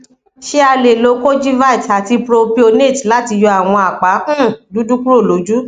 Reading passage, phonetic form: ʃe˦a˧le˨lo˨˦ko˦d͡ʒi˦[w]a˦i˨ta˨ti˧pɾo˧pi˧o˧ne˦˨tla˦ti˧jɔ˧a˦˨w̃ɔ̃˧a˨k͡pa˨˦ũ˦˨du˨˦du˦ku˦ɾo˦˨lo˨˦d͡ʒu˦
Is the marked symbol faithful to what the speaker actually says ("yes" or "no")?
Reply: no